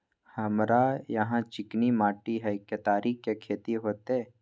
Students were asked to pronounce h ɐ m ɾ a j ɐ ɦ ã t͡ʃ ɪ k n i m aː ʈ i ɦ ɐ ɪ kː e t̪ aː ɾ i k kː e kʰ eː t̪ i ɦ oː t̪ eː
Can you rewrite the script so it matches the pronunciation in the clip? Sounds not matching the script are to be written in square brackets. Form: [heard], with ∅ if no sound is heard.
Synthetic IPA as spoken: h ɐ m ɾ a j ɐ ɦ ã t͡ʃ ɪ k n i m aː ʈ i ɦ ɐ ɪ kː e t̪ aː ɾ i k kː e kʰ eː t̪ i ɦ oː t̪ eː